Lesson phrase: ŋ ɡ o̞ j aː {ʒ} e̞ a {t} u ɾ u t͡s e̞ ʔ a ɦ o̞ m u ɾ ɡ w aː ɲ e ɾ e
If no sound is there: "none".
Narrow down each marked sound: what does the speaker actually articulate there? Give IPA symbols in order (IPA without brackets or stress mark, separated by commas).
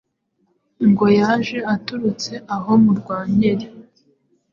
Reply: ʒ, t